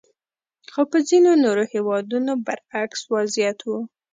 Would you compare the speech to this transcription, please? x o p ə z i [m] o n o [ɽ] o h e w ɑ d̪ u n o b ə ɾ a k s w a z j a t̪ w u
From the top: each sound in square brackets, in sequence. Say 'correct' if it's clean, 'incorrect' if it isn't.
incorrect, incorrect

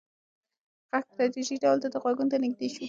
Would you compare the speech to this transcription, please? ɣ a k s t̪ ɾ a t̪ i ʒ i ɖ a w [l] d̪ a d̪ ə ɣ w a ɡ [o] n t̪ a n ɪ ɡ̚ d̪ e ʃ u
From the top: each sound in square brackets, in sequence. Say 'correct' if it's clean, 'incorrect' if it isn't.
correct, incorrect

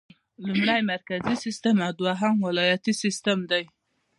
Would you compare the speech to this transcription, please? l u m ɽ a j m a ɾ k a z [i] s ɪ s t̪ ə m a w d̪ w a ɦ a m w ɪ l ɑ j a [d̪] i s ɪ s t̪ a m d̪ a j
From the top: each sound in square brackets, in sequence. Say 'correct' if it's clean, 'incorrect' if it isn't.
correct, incorrect

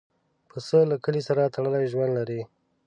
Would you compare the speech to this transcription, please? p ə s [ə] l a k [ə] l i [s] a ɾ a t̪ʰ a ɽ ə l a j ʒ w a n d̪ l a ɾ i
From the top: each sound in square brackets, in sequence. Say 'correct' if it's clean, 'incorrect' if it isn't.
correct, correct, correct

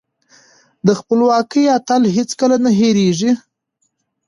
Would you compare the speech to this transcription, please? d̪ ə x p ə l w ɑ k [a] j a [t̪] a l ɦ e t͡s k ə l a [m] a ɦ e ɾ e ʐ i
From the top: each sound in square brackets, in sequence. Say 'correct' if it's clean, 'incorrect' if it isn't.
incorrect, correct, incorrect

